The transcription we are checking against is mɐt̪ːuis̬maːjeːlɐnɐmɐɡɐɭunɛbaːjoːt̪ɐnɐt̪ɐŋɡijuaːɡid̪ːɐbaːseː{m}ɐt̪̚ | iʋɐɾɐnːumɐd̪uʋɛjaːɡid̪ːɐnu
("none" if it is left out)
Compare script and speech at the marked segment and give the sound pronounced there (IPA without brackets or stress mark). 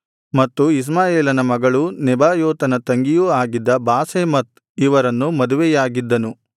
m